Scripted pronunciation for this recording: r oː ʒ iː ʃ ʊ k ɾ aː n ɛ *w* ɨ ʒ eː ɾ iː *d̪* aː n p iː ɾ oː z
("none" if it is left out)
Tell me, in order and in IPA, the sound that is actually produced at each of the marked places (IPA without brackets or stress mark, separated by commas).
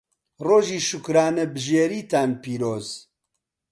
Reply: b, t̪